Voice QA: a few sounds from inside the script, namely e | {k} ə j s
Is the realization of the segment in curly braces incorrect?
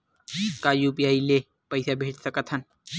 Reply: yes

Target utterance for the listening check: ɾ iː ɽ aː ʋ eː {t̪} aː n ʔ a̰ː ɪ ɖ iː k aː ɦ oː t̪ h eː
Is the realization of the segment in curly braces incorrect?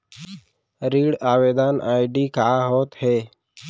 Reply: yes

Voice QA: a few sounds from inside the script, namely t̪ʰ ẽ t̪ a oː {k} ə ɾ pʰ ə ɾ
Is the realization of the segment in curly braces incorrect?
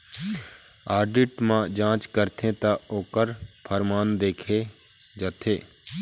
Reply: no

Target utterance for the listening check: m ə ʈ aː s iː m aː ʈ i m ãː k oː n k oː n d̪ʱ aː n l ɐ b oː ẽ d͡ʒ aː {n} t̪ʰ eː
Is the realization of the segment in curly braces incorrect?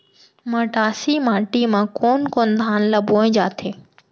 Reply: yes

